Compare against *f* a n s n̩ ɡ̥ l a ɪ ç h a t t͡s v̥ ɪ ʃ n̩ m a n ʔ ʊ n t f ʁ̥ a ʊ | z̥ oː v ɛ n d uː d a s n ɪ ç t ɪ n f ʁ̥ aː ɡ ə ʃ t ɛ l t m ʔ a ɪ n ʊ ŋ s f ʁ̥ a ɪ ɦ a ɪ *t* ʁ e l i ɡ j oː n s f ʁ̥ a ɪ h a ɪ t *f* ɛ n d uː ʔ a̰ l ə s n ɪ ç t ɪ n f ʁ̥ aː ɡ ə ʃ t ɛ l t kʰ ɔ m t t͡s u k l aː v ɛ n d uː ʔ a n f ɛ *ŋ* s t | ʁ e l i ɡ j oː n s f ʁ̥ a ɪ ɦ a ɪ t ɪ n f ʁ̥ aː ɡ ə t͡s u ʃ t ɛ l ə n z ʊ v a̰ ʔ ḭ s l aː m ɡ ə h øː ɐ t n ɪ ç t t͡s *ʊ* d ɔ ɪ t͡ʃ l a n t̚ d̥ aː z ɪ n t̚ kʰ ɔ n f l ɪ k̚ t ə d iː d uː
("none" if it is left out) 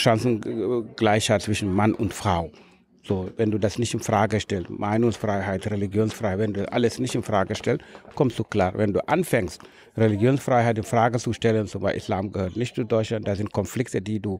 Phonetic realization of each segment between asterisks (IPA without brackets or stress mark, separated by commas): ʃ, t, v, ŋ, u